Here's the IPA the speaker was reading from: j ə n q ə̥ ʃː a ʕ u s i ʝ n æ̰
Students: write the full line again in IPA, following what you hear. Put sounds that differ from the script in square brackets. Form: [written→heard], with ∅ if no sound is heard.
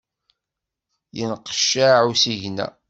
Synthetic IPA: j ə n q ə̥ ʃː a ʕ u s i ʝ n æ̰